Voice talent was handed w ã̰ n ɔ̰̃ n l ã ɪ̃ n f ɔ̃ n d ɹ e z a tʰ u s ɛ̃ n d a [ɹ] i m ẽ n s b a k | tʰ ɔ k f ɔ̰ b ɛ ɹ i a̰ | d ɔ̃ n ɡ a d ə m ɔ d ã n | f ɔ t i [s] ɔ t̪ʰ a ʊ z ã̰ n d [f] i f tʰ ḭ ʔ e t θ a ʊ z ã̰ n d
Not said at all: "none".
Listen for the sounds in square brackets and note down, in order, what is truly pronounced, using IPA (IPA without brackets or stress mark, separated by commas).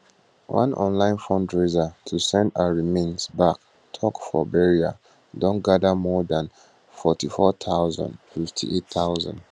ɹ, f, f